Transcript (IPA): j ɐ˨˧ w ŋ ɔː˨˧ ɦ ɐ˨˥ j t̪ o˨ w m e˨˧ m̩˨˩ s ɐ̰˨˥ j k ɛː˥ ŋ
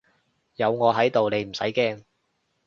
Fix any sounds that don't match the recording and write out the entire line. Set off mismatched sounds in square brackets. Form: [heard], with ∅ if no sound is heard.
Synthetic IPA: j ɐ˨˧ w ŋ ɔː˨˧ ɦ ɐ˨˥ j t̪ o˨ w [n] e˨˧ m̩˨˩ s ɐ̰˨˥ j k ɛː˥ ŋ